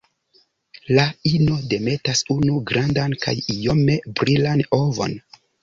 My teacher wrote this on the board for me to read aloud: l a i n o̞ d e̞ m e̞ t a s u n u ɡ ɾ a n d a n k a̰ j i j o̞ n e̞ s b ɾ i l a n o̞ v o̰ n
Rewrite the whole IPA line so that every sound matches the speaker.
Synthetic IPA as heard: l a i n o̞ d e̞ m e̞ t a s u n u ɡ ɾ a n d a n k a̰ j i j o̞ m e̞ b ɾ i l a n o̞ v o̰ n